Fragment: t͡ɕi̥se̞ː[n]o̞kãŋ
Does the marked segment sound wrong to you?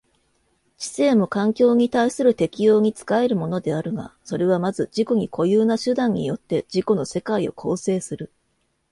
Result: yes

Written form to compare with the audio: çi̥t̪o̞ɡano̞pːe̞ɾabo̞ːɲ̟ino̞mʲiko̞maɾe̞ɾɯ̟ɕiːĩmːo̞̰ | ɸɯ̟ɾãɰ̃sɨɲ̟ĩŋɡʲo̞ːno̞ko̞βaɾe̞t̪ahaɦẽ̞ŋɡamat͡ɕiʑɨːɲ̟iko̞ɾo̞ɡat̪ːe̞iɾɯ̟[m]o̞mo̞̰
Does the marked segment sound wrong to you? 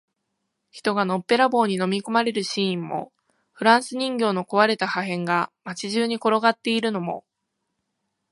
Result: yes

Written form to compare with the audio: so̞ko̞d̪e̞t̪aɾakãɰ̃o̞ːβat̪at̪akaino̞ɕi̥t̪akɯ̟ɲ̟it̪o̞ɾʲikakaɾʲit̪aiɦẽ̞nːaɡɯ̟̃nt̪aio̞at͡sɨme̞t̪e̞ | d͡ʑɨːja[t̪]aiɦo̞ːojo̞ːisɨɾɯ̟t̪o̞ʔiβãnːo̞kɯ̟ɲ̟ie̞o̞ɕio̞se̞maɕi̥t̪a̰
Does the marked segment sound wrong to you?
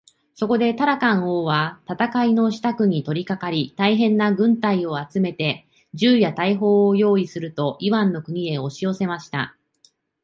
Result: no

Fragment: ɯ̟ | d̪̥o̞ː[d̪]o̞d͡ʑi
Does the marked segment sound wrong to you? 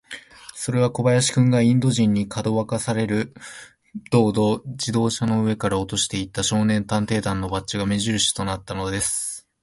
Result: no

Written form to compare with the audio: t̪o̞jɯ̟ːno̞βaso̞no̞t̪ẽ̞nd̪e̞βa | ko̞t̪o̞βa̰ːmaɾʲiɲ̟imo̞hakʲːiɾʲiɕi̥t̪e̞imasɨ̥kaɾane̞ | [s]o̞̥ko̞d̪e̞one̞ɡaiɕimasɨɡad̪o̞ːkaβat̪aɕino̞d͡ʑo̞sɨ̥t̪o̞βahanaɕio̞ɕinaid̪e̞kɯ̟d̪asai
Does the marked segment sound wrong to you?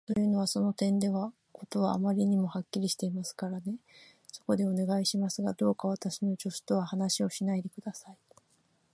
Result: no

